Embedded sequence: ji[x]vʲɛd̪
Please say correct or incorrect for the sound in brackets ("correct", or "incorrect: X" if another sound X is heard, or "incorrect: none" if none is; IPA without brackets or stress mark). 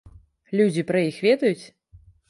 correct